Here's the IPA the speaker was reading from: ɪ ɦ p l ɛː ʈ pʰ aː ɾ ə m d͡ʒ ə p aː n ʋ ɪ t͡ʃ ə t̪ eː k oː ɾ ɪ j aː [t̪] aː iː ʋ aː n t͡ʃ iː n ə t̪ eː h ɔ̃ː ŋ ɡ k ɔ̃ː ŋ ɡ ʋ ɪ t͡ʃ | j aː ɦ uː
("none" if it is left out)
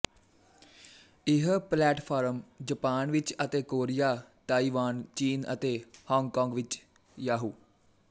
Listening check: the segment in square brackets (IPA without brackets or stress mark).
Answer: t̪